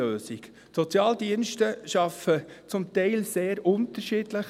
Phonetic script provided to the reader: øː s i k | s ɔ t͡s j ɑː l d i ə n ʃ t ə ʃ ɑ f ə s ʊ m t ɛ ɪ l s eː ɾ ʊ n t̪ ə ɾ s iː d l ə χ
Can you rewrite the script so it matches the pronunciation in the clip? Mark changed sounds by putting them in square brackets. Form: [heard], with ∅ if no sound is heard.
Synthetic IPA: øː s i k | s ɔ t͡s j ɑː l d i ə n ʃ t ə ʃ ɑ f ə [t͡s] ʊ m t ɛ ɪ l s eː ɾ ʊ n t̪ ə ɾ [ʃ] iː d l ə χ